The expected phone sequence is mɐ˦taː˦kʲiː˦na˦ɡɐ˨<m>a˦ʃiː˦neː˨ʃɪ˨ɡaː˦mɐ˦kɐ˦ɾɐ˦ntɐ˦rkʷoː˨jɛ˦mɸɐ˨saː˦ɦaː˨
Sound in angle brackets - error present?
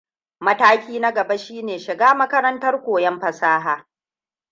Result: yes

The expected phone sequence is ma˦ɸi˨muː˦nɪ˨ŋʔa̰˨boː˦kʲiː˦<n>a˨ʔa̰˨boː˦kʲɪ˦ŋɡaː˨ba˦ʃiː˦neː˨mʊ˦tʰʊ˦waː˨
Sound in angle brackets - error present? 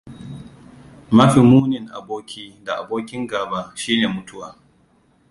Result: yes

